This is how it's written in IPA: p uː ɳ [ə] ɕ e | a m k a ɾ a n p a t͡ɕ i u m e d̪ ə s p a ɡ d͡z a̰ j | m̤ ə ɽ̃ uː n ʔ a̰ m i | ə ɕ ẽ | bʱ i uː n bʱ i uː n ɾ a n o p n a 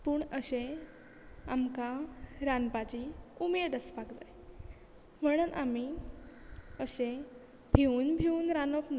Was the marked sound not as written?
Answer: no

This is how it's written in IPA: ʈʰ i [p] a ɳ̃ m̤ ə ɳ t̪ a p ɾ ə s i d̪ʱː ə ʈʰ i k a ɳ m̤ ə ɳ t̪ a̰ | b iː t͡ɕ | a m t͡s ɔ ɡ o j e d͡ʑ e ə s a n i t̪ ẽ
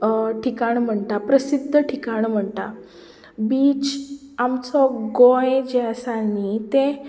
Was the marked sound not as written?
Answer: yes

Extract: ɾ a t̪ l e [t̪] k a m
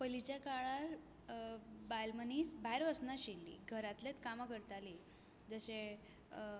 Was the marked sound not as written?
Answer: no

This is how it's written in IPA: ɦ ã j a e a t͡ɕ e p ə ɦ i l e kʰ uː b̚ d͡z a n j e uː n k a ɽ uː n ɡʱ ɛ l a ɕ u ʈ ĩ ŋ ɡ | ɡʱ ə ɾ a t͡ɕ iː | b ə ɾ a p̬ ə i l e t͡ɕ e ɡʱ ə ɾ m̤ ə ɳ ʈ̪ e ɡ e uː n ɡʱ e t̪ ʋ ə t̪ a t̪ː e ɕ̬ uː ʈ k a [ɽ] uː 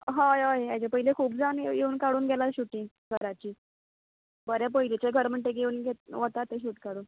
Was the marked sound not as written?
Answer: no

